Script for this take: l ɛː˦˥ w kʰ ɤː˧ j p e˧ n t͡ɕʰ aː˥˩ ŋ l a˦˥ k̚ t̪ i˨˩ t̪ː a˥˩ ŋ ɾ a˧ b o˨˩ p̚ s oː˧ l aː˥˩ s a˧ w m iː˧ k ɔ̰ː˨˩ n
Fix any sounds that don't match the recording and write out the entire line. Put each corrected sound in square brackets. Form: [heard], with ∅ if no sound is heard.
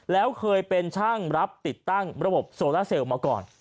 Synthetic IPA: l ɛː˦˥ w kʰ ɤː˧ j p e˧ n t͡ɕʰ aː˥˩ ŋ [ɾ] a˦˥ [p̚] t̪ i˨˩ t̪ː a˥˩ ŋ ɾ a˧ b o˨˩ p̚ s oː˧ l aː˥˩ s [e˧] w m [aː˧] k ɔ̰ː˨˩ n